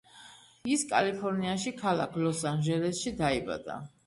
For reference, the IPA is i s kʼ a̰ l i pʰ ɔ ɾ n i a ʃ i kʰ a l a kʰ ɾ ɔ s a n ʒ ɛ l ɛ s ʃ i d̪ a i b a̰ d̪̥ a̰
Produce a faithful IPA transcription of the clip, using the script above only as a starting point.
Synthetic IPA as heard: i s kʼ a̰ l i pʰ ɔ ɾ n i a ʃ i kʰ a l a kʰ l ɔ s a n ʒ ɛ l ɛ s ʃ i d̪ a i b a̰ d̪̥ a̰